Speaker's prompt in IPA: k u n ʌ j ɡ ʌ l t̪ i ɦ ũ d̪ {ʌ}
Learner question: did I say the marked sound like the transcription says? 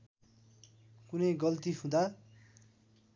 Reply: no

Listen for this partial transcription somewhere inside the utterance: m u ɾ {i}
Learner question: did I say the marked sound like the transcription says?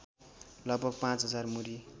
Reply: yes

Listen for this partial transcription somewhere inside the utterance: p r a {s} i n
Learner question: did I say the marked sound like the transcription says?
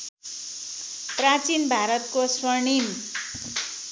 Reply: no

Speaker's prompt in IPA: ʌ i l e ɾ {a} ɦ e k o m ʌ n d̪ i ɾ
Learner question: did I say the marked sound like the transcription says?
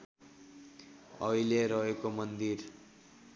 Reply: no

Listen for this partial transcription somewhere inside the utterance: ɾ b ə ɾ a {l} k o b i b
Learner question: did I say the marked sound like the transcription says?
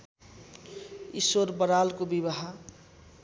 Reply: yes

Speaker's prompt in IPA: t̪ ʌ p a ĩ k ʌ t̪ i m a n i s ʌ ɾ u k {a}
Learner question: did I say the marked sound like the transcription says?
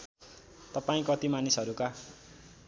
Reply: yes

